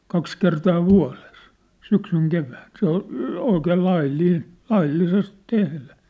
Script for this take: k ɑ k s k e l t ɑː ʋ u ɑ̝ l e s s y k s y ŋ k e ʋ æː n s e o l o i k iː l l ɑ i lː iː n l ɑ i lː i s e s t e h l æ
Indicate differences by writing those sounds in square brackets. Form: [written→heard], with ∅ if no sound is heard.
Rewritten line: k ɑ k s k e [l→r] t ɑː ʋ u ɑ̝ l e s s y k s y ŋ k e ʋ æː n s e o l o i k [iː→eː] l l ɑ i lː iː n l ɑ i lː i s e s t e h l æ